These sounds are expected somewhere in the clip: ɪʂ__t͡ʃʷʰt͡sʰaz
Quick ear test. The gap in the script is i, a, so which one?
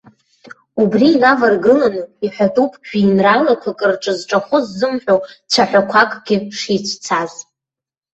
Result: i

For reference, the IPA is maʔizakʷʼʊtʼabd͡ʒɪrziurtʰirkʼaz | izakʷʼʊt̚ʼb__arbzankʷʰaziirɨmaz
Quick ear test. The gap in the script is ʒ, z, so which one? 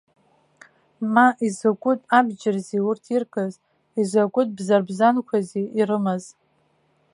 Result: z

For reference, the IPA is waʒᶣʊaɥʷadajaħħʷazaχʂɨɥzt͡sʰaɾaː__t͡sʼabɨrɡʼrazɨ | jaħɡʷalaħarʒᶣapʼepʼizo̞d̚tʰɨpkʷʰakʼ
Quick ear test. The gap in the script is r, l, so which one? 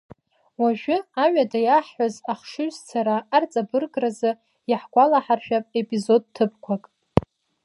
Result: r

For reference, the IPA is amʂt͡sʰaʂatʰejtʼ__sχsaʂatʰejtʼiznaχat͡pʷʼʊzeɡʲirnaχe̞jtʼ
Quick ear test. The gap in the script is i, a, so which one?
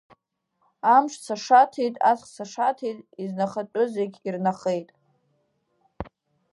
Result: a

